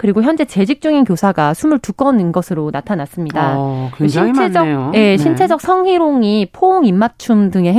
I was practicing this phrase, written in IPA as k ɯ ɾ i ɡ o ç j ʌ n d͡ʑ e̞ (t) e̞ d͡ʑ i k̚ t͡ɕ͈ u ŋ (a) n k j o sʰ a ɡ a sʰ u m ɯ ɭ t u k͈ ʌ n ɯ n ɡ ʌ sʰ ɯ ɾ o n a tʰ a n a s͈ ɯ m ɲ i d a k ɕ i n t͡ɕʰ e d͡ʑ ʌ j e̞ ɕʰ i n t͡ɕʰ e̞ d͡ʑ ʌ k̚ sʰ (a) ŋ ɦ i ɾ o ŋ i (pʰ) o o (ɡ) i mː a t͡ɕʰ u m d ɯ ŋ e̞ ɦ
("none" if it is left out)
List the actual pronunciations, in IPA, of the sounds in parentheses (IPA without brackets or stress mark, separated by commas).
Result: t͡ɕ, i, ʌ, pʰ, ŋ